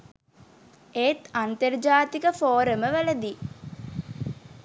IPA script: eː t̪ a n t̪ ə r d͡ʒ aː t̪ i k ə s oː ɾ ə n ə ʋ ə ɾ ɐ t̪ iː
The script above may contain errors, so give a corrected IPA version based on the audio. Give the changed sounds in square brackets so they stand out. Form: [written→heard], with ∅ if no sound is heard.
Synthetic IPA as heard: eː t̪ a n t̪ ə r d͡ʒ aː t̪ i k ə [s→f] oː ɾ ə [n→m] ə ʋ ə [ɾ→l] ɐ [t̪→d̪] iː